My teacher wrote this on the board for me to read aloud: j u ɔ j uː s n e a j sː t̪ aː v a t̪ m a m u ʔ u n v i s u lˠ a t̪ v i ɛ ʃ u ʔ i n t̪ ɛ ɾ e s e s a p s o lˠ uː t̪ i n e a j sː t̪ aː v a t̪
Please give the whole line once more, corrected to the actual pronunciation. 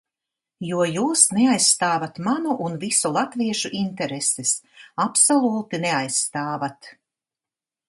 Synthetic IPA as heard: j u ɔ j uː s n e a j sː t̪ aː v a t̪ m a n u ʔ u n v i s u lˠ a t̪ v i ɛ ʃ u ʔ i n t̪ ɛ ɾ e s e s a p s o lˠ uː t̪ i n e a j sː t̪ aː v a t̪